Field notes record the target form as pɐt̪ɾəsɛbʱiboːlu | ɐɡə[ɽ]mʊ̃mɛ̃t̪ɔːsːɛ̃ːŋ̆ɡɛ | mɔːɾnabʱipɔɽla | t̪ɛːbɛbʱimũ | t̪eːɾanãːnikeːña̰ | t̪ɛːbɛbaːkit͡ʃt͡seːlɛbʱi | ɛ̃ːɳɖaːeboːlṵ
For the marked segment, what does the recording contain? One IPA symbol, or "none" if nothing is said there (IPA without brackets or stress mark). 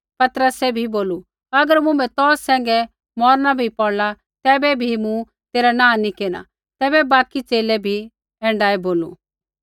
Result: ɾ